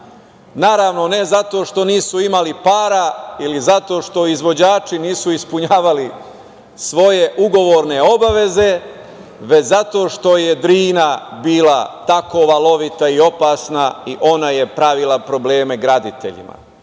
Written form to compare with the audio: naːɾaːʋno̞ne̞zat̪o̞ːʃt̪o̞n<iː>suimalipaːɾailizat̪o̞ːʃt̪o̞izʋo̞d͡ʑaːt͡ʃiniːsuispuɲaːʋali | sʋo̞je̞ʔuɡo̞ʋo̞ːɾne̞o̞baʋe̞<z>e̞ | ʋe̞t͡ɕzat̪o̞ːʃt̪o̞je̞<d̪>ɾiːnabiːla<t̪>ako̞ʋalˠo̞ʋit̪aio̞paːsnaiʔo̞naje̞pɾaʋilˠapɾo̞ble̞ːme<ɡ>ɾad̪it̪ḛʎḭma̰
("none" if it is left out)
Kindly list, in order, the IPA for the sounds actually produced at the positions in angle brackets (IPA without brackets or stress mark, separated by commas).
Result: iː, z, d̪, t̪, ɡ